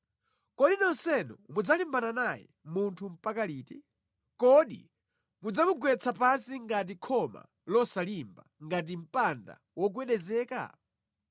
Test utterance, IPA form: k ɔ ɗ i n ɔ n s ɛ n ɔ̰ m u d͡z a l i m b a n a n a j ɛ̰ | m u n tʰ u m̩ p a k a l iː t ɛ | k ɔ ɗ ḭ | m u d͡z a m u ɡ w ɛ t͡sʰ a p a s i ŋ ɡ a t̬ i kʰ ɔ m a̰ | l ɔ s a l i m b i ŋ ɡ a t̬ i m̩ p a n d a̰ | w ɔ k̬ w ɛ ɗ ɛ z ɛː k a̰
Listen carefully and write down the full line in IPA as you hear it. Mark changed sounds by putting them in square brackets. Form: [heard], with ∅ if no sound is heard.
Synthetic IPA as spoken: k ɔ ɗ i n ɔ n s ɛ n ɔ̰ m u d͡z a l i m b a n a n a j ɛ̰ | m u n tʰ u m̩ p a k a l iː t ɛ | k ɔ ɗ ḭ | m u d͡z a m u ɡ w ɛ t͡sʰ a p a s i ŋ ɡ a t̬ i kʰ ɔ m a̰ | l ɔ s a l i m b [a] ŋ ɡ a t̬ i m̩ p a n d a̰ | w ɔ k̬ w ɛ ɗ ɛ z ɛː k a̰